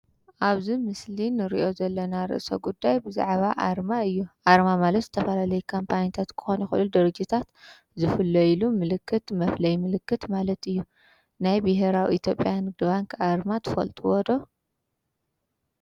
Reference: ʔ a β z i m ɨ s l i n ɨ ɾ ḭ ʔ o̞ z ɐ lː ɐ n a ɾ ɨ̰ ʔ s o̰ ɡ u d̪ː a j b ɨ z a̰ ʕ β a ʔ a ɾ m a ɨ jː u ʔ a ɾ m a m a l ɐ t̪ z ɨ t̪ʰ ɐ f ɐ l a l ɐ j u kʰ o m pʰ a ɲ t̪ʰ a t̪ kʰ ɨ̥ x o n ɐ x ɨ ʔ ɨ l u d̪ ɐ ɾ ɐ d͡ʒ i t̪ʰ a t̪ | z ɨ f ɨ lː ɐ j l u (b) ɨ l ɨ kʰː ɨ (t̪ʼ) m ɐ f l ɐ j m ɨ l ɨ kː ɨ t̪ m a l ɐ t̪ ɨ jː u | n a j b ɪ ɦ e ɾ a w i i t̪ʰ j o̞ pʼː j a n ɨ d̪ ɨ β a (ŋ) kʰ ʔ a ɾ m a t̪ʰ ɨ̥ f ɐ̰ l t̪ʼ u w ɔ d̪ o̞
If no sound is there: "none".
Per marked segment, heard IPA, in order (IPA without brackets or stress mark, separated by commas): m, t̪, ŋ